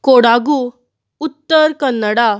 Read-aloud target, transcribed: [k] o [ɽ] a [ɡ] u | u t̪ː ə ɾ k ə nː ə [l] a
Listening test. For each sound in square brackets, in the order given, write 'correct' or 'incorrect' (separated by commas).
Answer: correct, correct, correct, incorrect